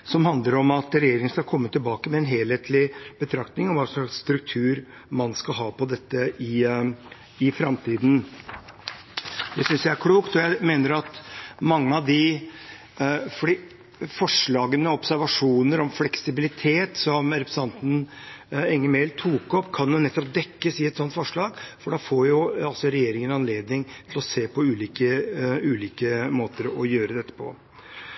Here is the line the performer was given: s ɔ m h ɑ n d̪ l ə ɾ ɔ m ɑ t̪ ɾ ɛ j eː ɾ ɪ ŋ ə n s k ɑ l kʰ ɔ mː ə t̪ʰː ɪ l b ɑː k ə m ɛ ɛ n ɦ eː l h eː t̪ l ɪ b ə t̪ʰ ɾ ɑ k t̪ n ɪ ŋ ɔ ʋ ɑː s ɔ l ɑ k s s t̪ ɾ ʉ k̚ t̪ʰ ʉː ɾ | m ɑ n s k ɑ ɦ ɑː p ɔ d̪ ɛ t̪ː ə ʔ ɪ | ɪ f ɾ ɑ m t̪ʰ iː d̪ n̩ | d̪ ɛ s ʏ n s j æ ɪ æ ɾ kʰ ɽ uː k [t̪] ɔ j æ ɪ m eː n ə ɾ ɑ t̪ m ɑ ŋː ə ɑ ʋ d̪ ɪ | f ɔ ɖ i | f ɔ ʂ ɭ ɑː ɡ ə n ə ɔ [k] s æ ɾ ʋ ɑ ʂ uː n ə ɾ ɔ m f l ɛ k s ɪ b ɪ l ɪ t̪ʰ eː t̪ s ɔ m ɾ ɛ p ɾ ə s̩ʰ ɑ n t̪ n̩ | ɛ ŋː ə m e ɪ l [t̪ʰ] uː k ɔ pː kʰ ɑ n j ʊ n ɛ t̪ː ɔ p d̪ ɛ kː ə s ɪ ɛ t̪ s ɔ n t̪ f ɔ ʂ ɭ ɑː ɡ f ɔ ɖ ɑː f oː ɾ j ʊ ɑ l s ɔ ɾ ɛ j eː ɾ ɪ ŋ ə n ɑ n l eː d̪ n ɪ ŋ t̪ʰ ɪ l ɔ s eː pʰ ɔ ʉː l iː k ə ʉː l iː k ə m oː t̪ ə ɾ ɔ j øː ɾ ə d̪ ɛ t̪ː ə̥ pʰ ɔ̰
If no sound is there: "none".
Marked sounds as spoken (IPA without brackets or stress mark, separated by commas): t̪, p, t̪ʰ